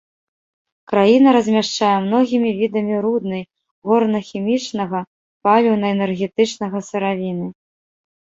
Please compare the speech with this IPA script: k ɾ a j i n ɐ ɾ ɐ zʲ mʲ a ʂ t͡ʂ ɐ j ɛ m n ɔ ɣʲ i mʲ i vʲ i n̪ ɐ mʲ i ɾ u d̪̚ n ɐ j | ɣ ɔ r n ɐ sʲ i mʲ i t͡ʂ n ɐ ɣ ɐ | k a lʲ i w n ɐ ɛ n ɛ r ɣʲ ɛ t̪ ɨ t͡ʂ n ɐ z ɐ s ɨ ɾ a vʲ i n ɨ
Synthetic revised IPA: k ɾ a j i n ɐ ɾ ɐ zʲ mʲ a ʂ t͡ʂ a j ɛ m n ɔ ɣʲ i mʲ i vʲ i d̪ ɐ mʲ i ɾ u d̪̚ n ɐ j | ɣ ɔ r n ɐ xʲ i mʲ i t͡ʂ n ɐ ɣ ɐ | p a lʲ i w n ɐ ɛ n ɛ r ɣʲ ɛ t̪ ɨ t͡ʂ n ɐ ɣ ɐ s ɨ ɾ a vʲ i n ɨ